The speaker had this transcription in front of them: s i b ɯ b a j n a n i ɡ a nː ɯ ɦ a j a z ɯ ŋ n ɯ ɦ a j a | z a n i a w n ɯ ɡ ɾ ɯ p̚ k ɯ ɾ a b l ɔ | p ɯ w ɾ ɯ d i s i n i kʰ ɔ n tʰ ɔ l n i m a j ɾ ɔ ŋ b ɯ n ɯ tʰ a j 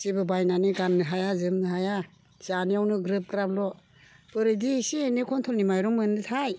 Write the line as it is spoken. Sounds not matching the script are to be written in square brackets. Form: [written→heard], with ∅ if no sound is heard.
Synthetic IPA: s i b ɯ b a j n a n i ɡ a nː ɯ ɦ a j a z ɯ [ŋ→m] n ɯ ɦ a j a | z a n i a w n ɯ ɡ ɾ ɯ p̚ k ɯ ɾ a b l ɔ | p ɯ [w→∅] ɾ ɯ d i s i n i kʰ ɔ n tʰ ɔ l n i m a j ɾ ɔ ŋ [b→m] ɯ n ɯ tʰ a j